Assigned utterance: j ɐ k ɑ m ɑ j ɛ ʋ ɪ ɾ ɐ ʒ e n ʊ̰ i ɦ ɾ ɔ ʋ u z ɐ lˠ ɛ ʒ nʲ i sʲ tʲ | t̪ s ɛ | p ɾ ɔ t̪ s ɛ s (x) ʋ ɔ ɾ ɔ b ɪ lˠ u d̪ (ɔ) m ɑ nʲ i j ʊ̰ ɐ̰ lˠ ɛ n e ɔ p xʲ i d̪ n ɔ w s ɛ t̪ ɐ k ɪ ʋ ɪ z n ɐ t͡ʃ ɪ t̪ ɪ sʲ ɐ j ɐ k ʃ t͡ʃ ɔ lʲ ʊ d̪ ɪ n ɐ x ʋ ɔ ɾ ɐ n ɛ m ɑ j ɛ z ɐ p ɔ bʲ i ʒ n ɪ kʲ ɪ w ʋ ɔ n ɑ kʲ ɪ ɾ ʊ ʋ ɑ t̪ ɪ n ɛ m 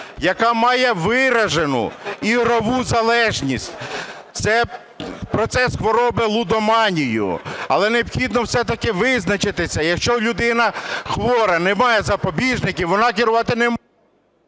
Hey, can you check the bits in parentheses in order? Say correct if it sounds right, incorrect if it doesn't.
correct, correct

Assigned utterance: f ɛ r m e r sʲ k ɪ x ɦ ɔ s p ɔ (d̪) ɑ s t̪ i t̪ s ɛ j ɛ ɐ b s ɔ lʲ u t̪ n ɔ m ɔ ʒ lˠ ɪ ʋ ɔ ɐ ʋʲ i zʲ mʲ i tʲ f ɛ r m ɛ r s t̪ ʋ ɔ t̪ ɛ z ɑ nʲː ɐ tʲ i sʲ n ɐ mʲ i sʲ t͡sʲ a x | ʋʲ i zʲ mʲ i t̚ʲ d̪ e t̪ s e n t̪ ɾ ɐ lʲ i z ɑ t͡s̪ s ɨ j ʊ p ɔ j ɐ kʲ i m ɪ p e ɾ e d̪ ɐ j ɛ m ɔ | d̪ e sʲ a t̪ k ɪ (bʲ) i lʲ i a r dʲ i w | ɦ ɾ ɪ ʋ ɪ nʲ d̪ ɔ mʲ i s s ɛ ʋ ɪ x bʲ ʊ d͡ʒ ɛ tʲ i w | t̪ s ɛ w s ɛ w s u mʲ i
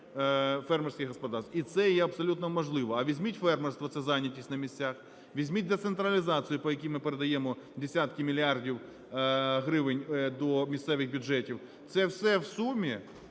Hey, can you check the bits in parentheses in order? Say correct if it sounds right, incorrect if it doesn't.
correct, incorrect: mʲ

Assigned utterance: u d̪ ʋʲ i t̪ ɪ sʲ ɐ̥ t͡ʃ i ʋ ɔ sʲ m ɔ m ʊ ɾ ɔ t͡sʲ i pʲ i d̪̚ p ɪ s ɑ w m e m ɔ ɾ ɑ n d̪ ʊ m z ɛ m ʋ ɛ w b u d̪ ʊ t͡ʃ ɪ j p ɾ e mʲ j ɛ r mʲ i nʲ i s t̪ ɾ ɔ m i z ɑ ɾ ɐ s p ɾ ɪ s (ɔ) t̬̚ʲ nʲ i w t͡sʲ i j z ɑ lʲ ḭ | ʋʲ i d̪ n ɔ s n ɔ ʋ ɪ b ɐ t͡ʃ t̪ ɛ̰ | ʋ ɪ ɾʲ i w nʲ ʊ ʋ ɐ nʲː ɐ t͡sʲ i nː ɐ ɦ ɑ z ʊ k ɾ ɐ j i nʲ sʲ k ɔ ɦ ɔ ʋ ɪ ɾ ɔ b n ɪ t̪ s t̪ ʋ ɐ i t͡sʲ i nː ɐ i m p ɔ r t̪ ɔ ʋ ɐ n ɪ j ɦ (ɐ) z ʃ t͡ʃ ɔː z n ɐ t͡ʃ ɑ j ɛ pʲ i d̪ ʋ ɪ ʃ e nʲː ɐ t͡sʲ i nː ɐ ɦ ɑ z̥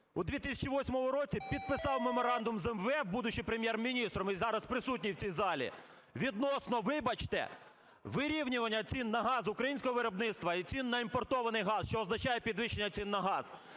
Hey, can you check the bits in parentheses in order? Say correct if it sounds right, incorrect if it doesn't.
incorrect: u, incorrect: ɑ

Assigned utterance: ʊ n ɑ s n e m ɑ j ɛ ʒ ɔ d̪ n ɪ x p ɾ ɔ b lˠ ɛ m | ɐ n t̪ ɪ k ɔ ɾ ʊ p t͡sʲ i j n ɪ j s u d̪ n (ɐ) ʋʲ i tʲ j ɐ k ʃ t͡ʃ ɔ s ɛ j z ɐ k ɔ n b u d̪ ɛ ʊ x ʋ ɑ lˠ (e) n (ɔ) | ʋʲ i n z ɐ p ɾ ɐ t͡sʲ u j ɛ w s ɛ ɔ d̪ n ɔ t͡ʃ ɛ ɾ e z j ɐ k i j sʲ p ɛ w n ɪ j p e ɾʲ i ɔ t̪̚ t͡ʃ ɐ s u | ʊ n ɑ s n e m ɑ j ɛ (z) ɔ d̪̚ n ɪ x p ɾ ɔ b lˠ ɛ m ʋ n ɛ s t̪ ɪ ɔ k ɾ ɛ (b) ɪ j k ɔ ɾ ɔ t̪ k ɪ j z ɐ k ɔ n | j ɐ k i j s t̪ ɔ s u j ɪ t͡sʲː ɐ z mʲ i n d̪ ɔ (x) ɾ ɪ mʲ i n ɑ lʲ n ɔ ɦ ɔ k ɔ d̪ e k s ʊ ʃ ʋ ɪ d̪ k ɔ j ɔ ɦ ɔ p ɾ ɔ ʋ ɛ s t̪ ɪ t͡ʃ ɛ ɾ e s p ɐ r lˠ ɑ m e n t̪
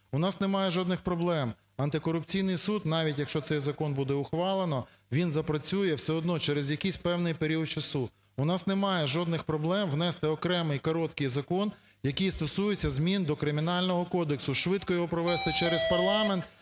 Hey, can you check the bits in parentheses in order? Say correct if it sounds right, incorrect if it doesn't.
incorrect: ɑ, correct, correct, incorrect: ʒ, incorrect: m, incorrect: k

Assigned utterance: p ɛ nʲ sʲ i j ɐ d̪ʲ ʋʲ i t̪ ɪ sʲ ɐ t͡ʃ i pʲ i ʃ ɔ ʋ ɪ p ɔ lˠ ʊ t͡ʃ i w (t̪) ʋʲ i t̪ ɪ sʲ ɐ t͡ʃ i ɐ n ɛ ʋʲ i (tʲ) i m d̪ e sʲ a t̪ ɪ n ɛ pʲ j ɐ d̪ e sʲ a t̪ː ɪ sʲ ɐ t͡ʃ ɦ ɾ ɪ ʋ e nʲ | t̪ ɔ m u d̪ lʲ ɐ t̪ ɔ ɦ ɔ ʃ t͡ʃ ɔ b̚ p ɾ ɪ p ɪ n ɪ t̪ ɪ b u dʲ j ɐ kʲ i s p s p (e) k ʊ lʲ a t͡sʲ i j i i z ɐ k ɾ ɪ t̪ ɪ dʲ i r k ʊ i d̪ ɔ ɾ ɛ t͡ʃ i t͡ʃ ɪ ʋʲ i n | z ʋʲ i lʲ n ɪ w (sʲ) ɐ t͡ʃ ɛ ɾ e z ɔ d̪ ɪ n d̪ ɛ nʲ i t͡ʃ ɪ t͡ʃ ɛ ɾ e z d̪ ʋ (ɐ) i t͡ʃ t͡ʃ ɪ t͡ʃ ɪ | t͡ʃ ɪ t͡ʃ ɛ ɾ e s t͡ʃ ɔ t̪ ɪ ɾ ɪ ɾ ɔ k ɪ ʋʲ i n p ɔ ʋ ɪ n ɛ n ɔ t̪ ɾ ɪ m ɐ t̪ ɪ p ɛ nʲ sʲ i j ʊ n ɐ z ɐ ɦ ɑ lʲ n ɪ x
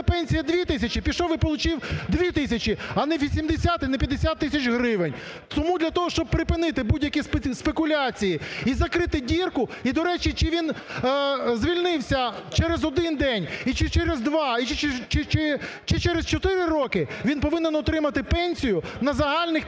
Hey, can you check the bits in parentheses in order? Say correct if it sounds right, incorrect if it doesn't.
incorrect: d̪, incorrect: sʲ, correct, correct, incorrect: ɑ

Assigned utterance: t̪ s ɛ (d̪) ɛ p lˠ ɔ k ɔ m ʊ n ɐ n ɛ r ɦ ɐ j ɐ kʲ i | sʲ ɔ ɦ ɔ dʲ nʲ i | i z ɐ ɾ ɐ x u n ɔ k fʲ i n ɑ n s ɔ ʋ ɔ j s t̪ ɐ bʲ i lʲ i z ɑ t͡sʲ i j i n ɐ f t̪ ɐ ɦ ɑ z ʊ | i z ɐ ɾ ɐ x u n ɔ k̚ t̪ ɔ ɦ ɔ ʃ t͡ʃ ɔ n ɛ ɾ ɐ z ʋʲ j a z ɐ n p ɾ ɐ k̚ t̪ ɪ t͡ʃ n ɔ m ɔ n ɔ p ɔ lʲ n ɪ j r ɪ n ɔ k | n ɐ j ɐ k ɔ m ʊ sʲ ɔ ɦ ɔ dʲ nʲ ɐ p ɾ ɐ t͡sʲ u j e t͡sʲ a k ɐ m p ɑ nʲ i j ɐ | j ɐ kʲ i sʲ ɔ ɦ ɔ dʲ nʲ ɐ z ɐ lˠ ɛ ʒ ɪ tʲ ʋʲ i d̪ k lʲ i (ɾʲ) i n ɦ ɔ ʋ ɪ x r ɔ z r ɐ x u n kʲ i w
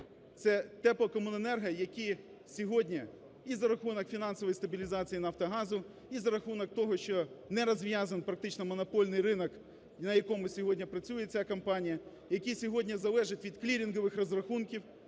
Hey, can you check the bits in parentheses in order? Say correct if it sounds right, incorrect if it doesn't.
incorrect: t̪, correct

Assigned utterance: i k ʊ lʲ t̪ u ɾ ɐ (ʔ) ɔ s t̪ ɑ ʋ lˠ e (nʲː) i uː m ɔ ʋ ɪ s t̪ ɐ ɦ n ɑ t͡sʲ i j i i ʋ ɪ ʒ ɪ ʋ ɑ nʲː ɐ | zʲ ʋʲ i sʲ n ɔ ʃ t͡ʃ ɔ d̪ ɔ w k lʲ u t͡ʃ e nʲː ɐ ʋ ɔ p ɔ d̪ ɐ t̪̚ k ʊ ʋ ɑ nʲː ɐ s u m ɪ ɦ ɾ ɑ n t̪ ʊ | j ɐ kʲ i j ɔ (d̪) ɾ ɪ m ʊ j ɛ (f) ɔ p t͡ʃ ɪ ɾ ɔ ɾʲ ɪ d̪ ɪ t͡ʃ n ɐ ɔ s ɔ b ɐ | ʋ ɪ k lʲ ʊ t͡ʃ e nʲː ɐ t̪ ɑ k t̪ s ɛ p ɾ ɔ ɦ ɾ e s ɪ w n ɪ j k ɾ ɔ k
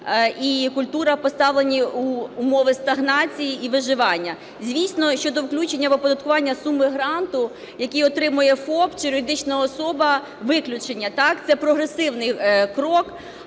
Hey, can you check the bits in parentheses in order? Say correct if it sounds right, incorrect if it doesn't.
incorrect: p, incorrect: nʲ, incorrect: t̪, correct

